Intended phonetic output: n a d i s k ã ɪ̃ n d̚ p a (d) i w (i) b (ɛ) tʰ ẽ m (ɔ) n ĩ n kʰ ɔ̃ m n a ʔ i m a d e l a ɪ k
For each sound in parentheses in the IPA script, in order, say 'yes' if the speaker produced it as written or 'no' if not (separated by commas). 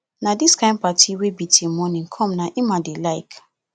no, no, no, yes